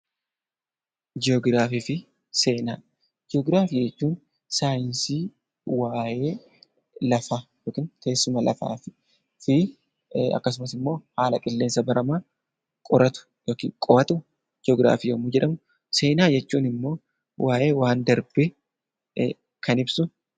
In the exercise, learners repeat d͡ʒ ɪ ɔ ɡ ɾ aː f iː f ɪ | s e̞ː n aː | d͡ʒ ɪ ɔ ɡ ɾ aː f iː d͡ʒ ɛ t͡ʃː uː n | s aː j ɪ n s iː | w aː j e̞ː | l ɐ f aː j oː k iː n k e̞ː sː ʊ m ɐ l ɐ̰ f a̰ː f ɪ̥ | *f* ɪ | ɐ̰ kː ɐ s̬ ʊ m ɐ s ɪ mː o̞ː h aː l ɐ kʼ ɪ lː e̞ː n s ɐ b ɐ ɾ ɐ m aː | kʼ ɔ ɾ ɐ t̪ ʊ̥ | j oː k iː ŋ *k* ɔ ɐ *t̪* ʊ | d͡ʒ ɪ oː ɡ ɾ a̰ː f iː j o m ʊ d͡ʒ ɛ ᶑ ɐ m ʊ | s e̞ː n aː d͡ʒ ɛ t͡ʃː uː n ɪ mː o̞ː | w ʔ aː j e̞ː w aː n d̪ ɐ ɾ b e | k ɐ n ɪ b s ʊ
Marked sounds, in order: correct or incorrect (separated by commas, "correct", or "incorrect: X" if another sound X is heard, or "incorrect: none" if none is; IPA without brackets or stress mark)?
correct, incorrect: kʼ, correct